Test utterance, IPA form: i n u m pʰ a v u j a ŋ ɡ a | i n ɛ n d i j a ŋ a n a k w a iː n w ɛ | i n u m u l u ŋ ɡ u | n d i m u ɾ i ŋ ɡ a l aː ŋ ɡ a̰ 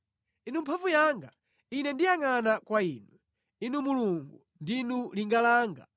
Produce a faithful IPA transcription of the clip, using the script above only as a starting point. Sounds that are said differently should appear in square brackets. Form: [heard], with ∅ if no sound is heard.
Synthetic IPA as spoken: i n u m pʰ a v u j a ŋ ɡ a | i n ɛ n d i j a ŋ a n a k w a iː n w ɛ | i n u m u l u ŋ ɡ u | n d i [n] u [l] i ŋ ɡ a l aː ŋ ɡ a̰